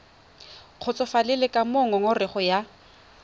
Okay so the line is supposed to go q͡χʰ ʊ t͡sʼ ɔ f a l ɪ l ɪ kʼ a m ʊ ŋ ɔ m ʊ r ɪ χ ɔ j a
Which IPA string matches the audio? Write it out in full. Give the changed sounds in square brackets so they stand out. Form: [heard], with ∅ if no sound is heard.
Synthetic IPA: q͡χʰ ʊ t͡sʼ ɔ f a l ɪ l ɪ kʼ a m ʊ ŋ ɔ [ŋ] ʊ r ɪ χ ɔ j a